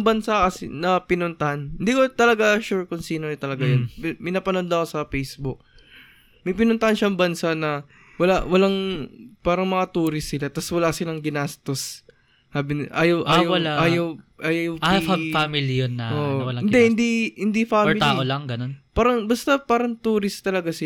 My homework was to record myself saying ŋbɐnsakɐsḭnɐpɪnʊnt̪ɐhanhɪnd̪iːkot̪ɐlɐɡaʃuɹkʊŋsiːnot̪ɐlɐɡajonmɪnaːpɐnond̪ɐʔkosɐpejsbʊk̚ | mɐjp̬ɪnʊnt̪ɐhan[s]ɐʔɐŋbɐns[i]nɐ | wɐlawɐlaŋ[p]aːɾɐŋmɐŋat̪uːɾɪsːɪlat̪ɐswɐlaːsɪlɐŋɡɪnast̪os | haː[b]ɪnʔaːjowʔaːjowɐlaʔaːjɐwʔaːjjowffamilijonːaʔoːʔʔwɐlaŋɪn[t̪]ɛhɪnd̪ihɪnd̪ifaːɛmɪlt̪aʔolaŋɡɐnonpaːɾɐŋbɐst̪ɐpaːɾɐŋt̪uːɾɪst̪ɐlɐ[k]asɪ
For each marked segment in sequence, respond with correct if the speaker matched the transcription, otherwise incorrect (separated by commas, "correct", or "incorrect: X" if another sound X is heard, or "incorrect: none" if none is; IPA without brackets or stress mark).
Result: incorrect: ʃ, incorrect: a, correct, correct, incorrect: d̪, incorrect: ɡ